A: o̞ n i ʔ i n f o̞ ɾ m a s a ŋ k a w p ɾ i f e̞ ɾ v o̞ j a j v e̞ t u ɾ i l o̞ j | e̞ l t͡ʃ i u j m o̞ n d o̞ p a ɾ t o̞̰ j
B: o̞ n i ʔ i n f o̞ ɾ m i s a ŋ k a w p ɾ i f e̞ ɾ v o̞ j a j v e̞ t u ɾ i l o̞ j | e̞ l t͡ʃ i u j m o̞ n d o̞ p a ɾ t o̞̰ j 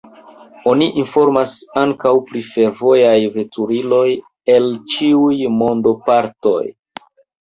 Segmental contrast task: A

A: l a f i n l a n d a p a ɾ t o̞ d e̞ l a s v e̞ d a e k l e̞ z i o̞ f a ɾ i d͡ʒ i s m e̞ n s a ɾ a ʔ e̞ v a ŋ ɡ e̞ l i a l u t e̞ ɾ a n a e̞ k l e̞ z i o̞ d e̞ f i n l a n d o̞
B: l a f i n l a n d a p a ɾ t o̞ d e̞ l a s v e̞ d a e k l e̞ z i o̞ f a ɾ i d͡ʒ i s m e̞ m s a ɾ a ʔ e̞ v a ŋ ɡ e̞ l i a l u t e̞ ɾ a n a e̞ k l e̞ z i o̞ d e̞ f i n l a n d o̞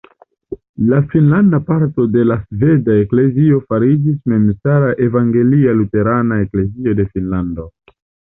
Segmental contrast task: B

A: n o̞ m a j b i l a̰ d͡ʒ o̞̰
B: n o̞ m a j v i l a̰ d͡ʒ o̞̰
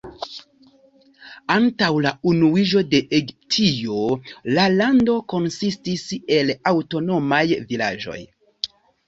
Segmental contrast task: B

